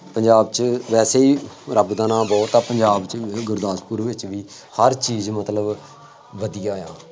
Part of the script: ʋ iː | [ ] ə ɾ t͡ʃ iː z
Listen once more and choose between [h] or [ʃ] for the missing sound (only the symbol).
h